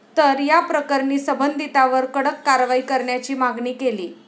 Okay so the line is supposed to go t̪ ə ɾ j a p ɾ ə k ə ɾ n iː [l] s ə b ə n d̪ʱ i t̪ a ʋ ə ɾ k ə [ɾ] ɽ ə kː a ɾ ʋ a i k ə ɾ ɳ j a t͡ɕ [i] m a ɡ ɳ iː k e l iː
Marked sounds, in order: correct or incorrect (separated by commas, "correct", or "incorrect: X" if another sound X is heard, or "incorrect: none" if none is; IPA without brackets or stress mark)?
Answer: incorrect: none, incorrect: none, incorrect: iː